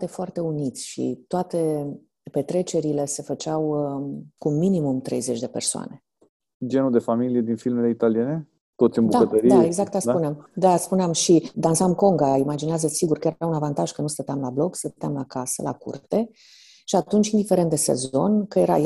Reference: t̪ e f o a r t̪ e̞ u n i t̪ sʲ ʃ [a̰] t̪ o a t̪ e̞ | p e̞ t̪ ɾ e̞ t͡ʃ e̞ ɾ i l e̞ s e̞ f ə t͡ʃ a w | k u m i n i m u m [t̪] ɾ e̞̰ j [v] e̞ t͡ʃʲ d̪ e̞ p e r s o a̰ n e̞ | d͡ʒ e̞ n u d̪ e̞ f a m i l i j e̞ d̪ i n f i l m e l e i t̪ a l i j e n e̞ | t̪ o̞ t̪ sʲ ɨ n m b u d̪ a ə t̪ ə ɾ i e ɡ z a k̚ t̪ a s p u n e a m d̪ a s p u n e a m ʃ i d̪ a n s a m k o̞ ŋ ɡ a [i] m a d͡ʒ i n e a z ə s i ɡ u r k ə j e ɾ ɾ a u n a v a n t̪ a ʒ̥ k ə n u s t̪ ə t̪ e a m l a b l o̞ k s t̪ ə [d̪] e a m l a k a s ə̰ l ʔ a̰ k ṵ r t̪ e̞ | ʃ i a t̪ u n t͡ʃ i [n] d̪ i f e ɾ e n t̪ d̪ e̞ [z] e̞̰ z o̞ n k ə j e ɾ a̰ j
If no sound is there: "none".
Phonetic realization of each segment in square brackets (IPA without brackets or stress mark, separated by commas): ḭ, t̪, z, i, t̪, n, s